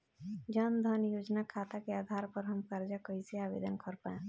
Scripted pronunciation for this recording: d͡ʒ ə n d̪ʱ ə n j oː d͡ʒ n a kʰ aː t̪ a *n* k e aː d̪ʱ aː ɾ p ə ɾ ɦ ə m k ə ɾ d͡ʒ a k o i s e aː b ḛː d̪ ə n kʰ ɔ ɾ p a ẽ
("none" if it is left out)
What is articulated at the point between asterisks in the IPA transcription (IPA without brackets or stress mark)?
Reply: none